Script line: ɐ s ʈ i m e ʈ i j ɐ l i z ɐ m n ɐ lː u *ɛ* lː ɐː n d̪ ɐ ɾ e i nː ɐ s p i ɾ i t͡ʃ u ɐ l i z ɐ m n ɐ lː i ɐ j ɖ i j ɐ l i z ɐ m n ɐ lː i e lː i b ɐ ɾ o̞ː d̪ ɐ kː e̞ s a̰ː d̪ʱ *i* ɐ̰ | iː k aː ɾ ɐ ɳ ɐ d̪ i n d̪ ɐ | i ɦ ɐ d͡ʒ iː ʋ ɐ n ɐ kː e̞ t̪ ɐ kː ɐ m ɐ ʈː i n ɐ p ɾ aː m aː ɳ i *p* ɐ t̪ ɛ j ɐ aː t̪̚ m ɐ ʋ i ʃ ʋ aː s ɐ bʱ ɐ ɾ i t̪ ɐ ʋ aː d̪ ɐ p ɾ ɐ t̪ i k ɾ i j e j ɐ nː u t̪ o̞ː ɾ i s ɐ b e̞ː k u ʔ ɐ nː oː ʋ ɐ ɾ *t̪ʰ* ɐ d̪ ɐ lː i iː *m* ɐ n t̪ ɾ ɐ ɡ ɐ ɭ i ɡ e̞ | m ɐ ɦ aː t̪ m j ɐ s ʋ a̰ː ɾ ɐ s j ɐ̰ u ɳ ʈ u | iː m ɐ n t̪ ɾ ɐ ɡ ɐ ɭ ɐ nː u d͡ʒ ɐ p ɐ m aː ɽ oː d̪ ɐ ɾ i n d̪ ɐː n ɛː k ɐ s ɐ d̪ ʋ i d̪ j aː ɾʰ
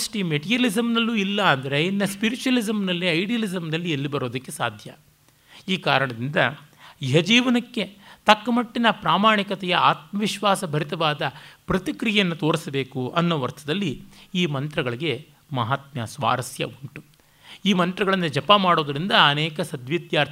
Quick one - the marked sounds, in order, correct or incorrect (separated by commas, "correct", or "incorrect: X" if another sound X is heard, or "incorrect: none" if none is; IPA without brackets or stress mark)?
incorrect: i, incorrect: j, incorrect: k, correct, correct